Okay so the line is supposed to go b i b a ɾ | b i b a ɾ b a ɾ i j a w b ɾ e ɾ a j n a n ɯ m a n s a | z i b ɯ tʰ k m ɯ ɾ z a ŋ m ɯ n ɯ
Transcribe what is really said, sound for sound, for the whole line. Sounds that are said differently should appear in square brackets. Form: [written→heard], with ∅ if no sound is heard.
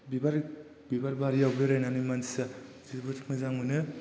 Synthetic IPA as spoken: b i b a ɾ | b i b a ɾ b a ɾ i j a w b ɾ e ɾ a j n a n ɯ m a n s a | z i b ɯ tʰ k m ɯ [ɾ→∅] z a ŋ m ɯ n ɯ